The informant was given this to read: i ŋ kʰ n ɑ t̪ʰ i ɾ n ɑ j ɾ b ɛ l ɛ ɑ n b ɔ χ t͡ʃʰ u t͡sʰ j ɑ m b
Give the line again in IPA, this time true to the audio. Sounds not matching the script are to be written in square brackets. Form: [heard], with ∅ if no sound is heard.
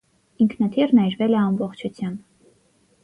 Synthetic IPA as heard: i ŋ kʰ n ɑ t̪ʰ i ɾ n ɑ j ɾ [v] ɛ l ɛ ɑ [m] b ɔ χ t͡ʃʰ u t͡sʰ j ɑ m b